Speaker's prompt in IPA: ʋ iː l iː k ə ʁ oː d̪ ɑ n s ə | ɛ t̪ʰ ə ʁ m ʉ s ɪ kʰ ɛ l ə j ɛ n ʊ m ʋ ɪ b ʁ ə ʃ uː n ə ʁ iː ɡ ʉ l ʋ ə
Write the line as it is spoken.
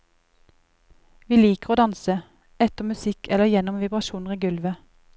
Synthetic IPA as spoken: ʋ iː l iː k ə ʁ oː d̪ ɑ n s ə | ɛ t̪ ə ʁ m ʉ s ɪ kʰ ɛ l ə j ɛ n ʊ m ʋ ɪ b ʁ ɑ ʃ uː n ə ʁ iː ɡ ʉ l ʋ ə